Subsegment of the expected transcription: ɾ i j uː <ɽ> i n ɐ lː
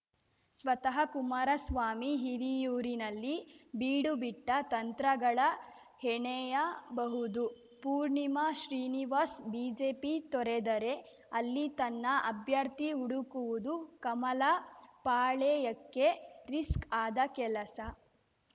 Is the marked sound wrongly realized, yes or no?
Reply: yes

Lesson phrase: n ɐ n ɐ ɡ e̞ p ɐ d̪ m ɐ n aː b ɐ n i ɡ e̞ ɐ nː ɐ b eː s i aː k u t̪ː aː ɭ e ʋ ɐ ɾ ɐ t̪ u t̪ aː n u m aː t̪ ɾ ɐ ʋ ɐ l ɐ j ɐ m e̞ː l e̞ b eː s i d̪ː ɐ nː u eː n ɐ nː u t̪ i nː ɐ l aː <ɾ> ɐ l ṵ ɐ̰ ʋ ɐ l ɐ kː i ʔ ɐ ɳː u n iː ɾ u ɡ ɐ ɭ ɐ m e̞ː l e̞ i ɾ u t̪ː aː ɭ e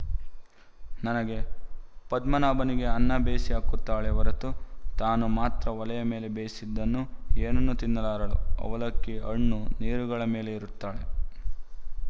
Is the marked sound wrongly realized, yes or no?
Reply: no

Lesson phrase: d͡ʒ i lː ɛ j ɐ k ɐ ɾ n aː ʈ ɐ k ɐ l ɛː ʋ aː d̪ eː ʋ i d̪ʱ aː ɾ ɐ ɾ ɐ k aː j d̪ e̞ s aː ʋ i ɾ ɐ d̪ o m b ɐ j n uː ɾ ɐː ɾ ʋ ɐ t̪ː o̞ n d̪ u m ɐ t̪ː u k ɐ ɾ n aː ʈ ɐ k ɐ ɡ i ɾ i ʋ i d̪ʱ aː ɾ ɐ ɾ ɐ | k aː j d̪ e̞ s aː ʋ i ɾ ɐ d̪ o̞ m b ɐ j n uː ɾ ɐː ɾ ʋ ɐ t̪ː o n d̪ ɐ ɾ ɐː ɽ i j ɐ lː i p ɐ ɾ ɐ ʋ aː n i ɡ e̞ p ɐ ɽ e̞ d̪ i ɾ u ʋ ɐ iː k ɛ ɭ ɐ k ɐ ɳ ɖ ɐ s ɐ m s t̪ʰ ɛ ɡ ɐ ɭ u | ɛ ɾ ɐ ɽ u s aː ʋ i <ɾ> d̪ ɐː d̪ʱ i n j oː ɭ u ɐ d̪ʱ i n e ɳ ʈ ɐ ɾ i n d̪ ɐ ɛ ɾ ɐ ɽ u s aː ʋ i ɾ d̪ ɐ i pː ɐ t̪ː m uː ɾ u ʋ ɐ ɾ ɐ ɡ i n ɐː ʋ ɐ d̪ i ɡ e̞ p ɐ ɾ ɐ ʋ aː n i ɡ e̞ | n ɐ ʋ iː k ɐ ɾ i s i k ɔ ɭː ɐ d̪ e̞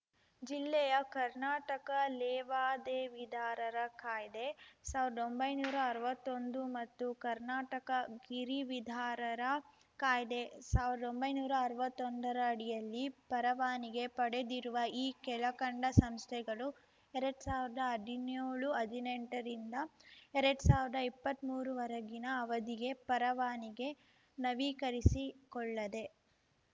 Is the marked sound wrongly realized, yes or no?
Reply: no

